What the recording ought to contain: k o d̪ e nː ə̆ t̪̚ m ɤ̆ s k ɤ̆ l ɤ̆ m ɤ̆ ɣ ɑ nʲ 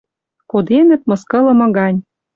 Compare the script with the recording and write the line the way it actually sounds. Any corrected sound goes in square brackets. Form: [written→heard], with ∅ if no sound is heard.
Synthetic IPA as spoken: k o d̪ e [nː→n] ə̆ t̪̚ m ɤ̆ s k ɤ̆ l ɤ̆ m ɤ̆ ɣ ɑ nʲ